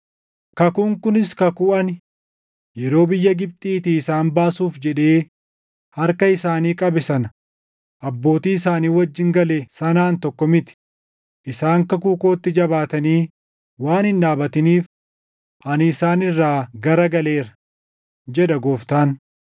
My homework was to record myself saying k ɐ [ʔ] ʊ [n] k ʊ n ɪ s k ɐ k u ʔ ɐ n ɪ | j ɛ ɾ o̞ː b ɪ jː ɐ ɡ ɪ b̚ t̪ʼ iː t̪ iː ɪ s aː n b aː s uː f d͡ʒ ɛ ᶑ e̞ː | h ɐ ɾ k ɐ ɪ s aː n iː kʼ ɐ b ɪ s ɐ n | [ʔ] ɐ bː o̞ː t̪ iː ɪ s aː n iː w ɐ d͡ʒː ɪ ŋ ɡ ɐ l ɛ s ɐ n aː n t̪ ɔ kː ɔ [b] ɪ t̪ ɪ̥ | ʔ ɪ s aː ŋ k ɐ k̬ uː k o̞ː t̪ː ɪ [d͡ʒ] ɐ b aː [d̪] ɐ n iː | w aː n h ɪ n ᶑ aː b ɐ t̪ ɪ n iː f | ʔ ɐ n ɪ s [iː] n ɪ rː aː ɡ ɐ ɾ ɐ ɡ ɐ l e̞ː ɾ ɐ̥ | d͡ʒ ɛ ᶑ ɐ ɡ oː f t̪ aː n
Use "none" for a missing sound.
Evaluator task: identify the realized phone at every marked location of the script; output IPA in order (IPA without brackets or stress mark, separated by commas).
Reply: k, ŋ, ʔ, m, d͡ʒ, t̪, aː